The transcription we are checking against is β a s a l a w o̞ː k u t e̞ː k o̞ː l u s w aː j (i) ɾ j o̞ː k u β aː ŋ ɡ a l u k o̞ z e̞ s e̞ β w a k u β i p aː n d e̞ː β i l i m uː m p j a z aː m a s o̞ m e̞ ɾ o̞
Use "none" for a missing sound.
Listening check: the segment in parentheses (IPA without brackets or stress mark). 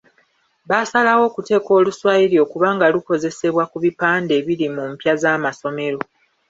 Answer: i